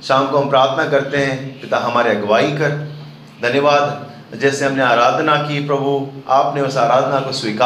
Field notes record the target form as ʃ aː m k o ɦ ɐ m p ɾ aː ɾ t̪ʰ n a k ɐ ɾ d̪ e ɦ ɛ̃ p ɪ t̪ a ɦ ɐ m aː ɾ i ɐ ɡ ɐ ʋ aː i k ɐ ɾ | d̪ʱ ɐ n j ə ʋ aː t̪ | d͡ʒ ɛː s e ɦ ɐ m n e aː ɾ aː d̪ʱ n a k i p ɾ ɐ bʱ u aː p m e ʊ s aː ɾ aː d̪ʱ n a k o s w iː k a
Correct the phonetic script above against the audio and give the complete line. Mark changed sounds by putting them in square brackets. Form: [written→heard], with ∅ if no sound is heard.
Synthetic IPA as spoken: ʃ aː m k o ɦ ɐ m p ɾ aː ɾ t̪ʰ n a k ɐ ɾ [d̪→t̪] e ɦ ɛ̃ p ɪ t̪ a ɦ ɐ m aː ɾ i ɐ ɡ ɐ ʋ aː i k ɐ ɾ | d̪ʱ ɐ n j ə ʋ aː [t̪→d̪] | d͡ʒ ɛː s e ɦ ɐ m n e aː ɾ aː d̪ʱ n a k i p ɾ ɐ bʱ u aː p [m→n] e ʊ s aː ɾ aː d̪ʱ n a k o s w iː k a